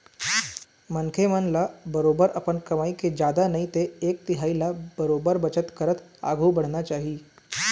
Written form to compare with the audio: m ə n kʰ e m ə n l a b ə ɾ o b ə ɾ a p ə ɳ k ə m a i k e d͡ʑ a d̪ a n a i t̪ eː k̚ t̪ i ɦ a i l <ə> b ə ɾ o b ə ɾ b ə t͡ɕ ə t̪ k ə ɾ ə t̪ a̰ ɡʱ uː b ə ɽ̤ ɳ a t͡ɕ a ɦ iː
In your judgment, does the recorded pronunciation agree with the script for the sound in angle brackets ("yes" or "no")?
no